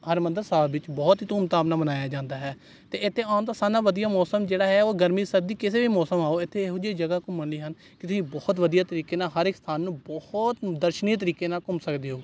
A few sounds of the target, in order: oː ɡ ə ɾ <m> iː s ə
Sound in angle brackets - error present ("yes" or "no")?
no